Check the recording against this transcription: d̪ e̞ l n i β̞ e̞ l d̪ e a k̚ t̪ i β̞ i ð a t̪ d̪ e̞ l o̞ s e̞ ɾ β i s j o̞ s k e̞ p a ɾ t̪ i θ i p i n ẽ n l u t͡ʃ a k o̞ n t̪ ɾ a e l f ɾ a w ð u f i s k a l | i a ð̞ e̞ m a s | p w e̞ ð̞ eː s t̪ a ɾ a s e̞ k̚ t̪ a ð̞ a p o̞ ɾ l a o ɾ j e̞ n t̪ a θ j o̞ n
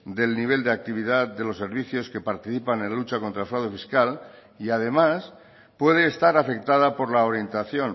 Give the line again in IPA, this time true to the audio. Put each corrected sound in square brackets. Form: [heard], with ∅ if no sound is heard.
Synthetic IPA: d̪ e̞ l n i β̞ e̞ l d̪ e a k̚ t̪ i β̞ i ð a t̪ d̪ e̞ l o̞ s e̞ ɾ β i [θ] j o̞ s k e̞ p a ɾ t̪ i θ i p [a] n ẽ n l u t͡ʃ a k o̞ n t̪ ɾ a e l f ɾ a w ð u f i s k a l | i a ð̞ e̞ m a s | p w e̞ ð̞ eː s t̪ a ɾ a [f] e̞ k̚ t̪ a ð̞ a p o̞ ɾ l a o ɾ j e̞ n t̪ a θ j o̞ n